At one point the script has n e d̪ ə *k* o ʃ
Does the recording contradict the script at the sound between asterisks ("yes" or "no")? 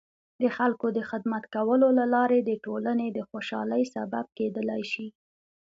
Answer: yes